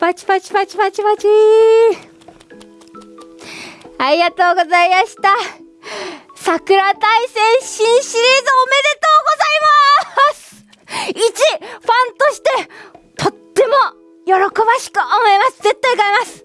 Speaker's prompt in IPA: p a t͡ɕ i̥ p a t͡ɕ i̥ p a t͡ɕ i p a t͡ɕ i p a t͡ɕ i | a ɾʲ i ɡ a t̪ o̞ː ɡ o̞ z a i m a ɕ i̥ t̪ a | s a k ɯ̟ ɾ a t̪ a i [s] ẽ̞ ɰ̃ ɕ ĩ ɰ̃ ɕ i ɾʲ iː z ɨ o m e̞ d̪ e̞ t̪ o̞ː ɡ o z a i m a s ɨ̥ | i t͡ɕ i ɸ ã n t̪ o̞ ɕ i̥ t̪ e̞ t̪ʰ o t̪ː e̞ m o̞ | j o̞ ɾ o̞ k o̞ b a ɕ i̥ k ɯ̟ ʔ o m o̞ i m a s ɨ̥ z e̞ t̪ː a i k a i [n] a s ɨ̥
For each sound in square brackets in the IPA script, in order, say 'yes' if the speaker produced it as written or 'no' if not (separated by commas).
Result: yes, no